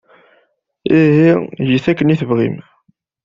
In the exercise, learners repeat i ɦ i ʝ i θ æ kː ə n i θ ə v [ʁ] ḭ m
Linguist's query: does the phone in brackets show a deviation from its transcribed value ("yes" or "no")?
no